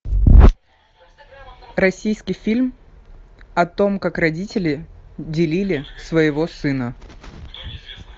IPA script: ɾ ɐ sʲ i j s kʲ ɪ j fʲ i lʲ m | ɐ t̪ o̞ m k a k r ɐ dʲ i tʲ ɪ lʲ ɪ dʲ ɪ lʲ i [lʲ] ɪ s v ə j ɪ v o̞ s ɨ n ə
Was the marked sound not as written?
no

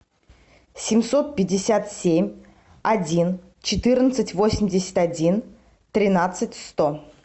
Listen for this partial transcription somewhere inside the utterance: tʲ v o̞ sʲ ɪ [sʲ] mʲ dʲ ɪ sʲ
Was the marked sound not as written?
yes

